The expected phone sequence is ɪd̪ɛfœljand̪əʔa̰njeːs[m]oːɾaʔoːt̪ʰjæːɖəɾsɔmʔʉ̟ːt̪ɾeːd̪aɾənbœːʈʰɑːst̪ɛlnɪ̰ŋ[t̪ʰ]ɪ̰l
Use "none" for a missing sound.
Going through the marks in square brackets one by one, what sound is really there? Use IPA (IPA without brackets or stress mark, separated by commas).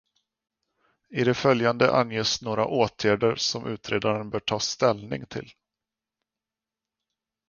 n, t̪ʰ